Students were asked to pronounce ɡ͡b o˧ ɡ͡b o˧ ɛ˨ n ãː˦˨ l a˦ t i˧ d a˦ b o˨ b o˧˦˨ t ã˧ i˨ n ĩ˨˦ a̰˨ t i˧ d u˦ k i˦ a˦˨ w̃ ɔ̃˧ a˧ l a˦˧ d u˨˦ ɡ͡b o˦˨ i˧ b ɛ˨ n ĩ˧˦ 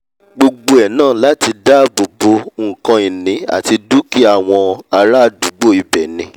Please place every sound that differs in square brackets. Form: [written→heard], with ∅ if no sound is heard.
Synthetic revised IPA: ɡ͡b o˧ ɡ͡b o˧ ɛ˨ n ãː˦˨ l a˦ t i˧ d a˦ b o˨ b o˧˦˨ [t→k] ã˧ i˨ n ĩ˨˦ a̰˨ t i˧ d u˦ k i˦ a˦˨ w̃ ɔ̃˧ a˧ [l→ɾ] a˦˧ d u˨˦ ɡ͡b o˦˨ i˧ b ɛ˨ n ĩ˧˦